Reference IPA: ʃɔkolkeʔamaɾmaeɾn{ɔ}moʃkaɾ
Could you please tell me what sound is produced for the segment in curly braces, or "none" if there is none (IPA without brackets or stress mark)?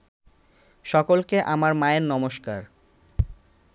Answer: ɔ